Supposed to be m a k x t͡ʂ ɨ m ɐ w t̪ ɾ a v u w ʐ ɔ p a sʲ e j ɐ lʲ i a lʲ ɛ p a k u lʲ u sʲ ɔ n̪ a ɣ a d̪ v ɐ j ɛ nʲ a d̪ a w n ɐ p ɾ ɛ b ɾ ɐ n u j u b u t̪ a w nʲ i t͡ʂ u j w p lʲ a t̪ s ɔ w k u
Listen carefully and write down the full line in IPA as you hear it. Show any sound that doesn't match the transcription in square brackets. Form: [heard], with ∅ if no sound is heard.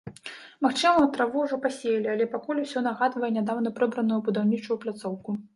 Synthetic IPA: m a [∅] x t͡ʂ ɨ m ɐ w t̪ ɾ a v u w ʐ ɔ p a sʲ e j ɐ lʲ i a lʲ ɛ p a k u lʲ u sʲ ɔ n̪ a ɣ a d̪ v ɐ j ɛ nʲ a d̪ a w n ɐ p ɾ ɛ b ɾ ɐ n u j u b u [d̪] a w nʲ i t͡ʂ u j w p lʲ a t̪ s ɔ w k u